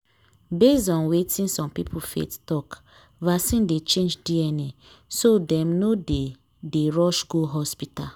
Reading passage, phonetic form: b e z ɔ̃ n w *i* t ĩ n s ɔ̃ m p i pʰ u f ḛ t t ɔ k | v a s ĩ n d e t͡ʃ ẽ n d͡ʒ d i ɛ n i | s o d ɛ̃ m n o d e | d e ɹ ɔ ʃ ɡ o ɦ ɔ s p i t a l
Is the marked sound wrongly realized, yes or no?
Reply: yes